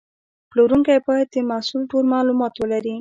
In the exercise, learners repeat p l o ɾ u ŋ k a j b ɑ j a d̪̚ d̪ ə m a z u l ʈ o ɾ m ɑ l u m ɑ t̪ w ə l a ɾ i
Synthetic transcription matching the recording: p l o ɾ u ŋ k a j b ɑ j a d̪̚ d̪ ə m a s u l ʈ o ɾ m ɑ l u m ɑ t̪ w ə l a ɾ i